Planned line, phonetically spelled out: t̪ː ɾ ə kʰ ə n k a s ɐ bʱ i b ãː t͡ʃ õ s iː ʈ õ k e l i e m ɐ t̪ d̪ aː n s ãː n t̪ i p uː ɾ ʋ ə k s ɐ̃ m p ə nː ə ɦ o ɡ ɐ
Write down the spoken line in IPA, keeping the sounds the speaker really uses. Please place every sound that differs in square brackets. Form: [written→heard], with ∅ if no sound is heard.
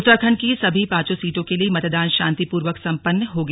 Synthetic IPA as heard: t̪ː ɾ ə kʰ ə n k [a→i] s ɐ bʱ i [b→p] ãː t͡ʃ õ s iː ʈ õ k e l i e m ɐ t̪ d̪ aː n [s→ʃ] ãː n t̪ i p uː ɾ ʋ ə k s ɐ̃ m p ə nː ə ɦ o ɡ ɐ